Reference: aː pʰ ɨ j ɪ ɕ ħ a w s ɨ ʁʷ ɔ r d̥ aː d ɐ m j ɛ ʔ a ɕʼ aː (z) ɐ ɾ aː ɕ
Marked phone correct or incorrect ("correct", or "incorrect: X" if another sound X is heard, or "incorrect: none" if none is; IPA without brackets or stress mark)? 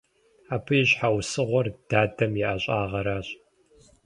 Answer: incorrect: ʁ